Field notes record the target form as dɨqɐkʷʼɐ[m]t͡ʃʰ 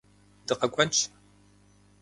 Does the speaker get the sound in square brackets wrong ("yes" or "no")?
yes